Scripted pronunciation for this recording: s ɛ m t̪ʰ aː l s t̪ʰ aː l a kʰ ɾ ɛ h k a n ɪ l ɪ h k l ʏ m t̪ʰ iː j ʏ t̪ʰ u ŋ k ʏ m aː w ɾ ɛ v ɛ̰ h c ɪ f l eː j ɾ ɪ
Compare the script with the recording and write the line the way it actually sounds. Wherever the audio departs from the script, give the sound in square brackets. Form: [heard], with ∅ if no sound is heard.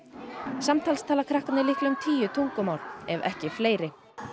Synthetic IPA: s [a] m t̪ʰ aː l s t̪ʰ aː l a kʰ ɾ [a] h k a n ɪ l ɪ h k l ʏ m t̪ʰ iː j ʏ t̪ʰ u ŋ k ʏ m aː w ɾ ɛ v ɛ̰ h c ɪ f l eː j ɾ ɪ

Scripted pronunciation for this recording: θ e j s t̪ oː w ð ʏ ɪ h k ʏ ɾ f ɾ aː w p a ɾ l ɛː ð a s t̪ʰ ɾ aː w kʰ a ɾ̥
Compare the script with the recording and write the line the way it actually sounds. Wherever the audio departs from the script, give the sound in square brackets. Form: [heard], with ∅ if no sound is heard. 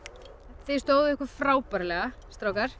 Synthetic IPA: θ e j s t̪ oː w ð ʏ ɪ h k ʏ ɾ f ɾ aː w p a ɾ l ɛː [ɣ] a s [t̪] ɾ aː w [k] a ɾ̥

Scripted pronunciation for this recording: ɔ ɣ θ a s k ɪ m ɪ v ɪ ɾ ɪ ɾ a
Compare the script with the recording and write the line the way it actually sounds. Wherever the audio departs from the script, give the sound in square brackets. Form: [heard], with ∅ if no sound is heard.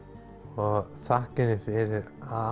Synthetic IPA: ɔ ɣ θ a [h] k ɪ [n] ɪ [f] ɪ ɾ ɪ ɾ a

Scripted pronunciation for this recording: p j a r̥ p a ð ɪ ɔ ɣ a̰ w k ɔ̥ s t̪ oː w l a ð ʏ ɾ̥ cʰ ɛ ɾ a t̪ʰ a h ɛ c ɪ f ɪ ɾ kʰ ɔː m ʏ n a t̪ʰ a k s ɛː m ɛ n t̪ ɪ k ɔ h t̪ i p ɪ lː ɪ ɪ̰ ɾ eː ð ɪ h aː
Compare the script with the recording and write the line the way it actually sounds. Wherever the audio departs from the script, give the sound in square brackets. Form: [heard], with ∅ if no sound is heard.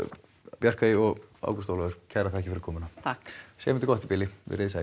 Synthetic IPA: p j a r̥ [k] a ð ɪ ɔ ɣ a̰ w k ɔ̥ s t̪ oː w l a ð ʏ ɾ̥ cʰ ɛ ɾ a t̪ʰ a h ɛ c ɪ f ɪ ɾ kʰ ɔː m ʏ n a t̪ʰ a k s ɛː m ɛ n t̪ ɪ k ɔ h t̪ i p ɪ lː ɪ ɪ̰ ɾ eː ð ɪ [s] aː

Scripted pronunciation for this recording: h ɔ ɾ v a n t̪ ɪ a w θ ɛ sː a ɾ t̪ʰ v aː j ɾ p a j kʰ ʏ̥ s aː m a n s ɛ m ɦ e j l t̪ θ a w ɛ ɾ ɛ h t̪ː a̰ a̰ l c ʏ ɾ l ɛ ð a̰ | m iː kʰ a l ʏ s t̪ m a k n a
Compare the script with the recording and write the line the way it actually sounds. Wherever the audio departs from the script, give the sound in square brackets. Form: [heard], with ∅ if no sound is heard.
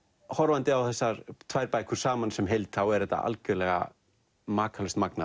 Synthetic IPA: h ɔ ɾ v a n t̪ ɪ a w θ ɛ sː a ɾ t̪ʰ v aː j ɾ p a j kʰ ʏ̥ s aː m a n s ɛ m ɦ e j l t̪ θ a w ɛ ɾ ɛ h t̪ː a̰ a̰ l c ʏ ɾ l ɛ [ɣ] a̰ | m [aː] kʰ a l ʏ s t̪ m a k n a

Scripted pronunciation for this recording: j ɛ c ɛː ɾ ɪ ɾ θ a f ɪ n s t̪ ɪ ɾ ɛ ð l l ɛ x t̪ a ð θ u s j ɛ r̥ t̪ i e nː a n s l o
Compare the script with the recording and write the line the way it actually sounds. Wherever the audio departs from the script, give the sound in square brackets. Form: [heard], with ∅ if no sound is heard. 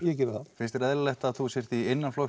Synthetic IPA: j ɛ c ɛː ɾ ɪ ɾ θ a f ɪ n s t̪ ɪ ɾ ɛ ð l l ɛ [h] t̪ a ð θ u s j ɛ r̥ t̪ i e nː a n [f] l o

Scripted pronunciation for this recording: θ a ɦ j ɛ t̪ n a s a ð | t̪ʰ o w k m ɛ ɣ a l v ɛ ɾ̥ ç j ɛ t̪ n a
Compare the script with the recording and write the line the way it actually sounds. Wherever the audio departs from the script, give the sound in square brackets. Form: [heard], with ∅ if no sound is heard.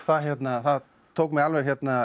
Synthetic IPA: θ a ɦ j ɛ t̪ n a [θ] a ð | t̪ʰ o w k m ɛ ɣ a l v ɛ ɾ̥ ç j ɛ t̪ n a

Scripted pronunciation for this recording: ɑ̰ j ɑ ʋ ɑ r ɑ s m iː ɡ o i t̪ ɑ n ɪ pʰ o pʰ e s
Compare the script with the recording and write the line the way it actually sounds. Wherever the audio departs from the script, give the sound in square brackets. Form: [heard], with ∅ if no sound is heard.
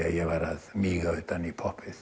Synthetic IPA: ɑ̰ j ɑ ʋ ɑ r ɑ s m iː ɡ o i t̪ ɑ n [i] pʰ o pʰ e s

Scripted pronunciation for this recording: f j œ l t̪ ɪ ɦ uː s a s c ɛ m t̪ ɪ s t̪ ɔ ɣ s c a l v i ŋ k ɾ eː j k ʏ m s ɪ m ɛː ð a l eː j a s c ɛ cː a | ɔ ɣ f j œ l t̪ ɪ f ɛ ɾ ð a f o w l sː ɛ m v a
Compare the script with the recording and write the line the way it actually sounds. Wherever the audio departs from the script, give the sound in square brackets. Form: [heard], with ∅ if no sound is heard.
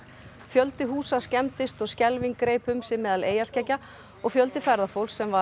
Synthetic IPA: f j œ l t̪ ɪ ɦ uː s a s c ɛ m t̪ ɪ s t̪ ɔ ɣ s c [ɛ] l v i ŋ k ɾ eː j [p] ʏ m s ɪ m ɛː ð a l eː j a s c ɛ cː a | ɔ ɣ f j œ l t̪ ɪ f ɛ ɾ ð a f o w l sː ɛ m v a

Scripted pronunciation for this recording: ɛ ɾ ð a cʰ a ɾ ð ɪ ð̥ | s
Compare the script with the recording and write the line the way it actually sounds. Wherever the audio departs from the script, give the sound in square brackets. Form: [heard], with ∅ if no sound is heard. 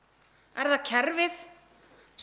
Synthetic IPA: ɛ ɾ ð a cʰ [ɛ] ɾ [v] ɪ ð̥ | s

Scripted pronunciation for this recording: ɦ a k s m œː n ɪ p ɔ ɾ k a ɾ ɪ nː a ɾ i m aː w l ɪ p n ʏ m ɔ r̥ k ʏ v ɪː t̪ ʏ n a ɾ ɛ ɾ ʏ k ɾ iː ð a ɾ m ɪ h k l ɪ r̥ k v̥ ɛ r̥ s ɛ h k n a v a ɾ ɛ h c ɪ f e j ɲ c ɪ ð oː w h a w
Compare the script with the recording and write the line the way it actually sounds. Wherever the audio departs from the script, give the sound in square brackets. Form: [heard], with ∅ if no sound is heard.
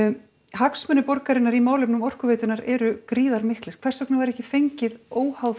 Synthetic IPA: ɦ a k s m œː n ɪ p ɔ ɾ k a ɾ ɪ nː a ɾ i m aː w l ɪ p n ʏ m ɔ r̥ k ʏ v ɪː t̪ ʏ n a ɾ ɛ ɾ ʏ k ɾ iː ð a ɾ m ɪ h k l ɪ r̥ [kʰ] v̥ ɛ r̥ s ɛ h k n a v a ɾ ɛ h c ɪ f e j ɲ c ɪ ð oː w h a w

